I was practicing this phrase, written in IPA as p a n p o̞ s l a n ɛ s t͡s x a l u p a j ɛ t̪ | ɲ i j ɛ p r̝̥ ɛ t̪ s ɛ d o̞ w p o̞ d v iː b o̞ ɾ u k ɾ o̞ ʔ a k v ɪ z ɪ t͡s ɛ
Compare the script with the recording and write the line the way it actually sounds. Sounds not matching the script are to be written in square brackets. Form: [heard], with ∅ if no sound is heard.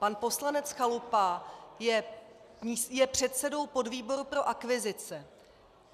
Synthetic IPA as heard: p a n p o̞ s l a n ɛ [∅] t͡s x a l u p a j ɛ [∅] | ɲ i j ɛ p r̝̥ ɛ t̪ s ɛ d o̞ w p o̞ d v iː b o̞ ɾ u [p] ɾ o̞ ʔ a k v ɪ z ɪ t͡s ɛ